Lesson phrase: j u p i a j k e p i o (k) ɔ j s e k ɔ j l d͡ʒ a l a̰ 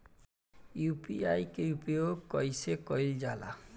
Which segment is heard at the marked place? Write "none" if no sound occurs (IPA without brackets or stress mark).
k